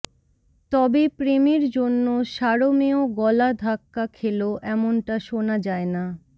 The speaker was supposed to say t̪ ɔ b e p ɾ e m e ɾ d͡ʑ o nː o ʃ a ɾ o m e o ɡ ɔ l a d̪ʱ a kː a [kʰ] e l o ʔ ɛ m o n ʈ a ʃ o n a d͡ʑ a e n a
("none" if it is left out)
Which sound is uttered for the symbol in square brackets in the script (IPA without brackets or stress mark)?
kʰ